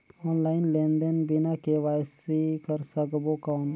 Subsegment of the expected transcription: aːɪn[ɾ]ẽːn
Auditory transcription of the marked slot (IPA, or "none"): l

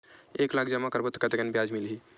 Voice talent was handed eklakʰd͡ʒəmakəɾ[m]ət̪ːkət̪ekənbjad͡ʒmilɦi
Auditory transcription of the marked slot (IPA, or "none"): b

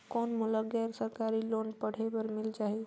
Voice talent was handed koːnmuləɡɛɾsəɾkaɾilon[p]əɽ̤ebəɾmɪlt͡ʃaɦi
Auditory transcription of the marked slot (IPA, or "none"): p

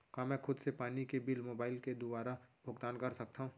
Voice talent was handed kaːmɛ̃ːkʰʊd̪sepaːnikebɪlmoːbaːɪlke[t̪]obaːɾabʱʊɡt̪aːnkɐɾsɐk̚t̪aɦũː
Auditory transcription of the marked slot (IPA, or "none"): d̪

